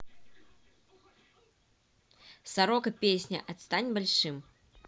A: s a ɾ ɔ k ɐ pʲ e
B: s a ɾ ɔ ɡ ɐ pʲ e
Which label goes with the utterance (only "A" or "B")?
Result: A